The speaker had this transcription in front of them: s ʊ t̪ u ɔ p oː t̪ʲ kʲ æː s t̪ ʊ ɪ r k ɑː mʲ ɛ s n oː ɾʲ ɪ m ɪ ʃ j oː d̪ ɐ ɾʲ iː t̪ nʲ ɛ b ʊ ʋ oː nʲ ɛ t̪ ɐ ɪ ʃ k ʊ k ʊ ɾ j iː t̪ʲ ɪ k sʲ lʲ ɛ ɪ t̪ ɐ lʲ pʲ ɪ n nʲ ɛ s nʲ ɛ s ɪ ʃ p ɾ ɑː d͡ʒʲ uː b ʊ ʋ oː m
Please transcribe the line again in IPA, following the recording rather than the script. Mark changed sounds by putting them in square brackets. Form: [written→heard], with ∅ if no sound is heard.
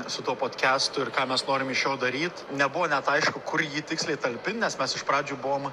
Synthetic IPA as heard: s ʊ t̪ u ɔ p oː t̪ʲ kʲ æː s t̪ ʊ ɪ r k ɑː mʲ ɛ s n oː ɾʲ ɪ m ɪ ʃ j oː d̪ ɐ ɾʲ iː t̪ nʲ ɛ b ʊ ʋ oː nʲ ɛ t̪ ɐ ɪ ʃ k ʊ k ʊ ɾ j iː t̪ʲ ɪ k sʲ lʲ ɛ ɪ t̪ ɐ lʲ pʲ ɪ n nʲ ɛ s [nʲ→mʲ] ɛ s ɪ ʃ p ɾ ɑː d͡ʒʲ uː b ʊ ʋ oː m

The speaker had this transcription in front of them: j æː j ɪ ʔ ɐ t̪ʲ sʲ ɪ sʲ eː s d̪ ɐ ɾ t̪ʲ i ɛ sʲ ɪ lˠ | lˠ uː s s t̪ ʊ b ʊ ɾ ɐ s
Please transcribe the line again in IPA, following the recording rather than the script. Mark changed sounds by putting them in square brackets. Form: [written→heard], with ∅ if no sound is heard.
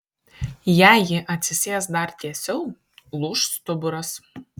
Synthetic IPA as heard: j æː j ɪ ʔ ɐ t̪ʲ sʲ ɪ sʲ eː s d̪ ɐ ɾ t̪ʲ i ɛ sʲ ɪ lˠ | lˠ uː [s→ʃ] s t̪ ʊ b ʊ ɾ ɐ s

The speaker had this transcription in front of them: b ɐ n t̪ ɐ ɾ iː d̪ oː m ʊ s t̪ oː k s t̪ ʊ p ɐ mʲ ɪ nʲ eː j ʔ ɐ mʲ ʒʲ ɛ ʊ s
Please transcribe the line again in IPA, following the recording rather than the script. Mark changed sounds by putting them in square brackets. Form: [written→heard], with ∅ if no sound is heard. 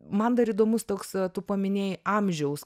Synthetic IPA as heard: [b→m] ɐ n [t̪→d̪] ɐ ɾ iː d̪ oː m ʊ s t̪ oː k s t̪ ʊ p ɐ mʲ ɪ nʲ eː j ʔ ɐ mʲ ʒʲ ɛ ʊ s

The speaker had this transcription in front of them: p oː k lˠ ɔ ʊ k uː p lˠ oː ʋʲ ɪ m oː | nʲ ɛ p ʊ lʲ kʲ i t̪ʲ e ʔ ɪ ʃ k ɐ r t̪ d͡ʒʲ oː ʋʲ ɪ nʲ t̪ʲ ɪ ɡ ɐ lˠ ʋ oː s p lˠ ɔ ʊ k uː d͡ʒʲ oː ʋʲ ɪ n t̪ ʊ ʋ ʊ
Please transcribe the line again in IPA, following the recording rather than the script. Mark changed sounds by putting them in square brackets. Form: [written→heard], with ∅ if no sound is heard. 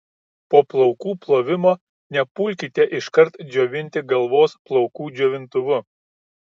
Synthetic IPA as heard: p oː [k→p] lˠ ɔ ʊ k uː p lˠ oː ʋʲ ɪ m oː | nʲ ɛ p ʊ lʲ kʲ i t̪ʲ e ʔ ɪ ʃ k ɐ [r→ɾ] t̪ d͡ʒʲ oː ʋʲ ɪ nʲ t̪ʲ ɪ ɡ ɐ lˠ ʋ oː s p lˠ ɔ ʊ k uː d͡ʒʲ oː ʋʲ ɪ n t̪ ʊ ʋ ʊ

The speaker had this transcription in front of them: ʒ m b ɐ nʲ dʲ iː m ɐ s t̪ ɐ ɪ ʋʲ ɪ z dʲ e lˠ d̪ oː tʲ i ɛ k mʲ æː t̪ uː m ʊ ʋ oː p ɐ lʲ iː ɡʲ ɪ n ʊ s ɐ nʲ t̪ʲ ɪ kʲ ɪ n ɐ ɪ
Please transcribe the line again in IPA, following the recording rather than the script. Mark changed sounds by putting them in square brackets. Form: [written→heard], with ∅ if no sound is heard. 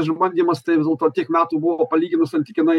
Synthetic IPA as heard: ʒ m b ɐ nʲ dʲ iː m ɐ s t̪ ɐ ɪ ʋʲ ɪ z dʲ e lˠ [d̪→t̪] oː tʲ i ɛ k mʲ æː t̪ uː [m→b] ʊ ʋ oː p ɐ lʲ iː ɡʲ ɪ n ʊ s ɐ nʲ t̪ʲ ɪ kʲ ɪ n ɐ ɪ

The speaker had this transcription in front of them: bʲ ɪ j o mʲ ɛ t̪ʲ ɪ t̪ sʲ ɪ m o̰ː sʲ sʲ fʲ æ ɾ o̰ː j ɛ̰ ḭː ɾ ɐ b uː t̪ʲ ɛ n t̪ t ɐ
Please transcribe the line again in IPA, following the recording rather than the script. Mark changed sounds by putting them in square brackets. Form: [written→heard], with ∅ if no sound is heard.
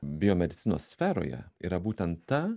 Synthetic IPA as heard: bʲ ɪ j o mʲ ɛ [t̪ʲ→d̪ʲ] ɪ t̪ sʲ ɪ [m→n] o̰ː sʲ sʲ fʲ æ ɾ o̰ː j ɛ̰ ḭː ɾ ɐ b uː t̪ʲ ɛ n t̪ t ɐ

